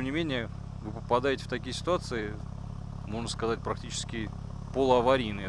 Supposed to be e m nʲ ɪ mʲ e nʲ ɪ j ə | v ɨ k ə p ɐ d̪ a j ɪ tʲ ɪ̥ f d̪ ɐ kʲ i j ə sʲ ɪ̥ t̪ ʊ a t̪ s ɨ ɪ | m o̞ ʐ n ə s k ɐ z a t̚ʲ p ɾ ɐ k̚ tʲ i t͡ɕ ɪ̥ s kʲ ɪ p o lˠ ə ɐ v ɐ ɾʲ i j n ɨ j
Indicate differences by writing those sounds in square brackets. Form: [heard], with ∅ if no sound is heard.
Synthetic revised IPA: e m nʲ ɪ mʲ e nʲ ɪ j ə | v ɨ [p] ə p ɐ d̪ a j ɪ tʲ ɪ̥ f [t̪] ɐ kʲ i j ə sʲ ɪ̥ t̪ ʊ a t̪ s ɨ ɪ | m o̞ ʐ n ə s k ɐ z a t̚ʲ p ɾ ɐ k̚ tʲ i t͡ɕ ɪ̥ s kʲ ɪ p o lˠ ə ɐ v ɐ ɾʲ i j n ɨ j